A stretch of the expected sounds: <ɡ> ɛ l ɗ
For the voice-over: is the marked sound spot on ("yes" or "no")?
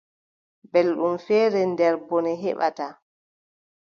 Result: no